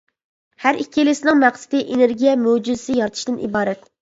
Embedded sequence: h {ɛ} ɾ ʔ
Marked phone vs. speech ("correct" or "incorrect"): incorrect